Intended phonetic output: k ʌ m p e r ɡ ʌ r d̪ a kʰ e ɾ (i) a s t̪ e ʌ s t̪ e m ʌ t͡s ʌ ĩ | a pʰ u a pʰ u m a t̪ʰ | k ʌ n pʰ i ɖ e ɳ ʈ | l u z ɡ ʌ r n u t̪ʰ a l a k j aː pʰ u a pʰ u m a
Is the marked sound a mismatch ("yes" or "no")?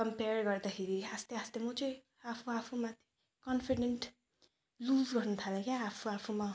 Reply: no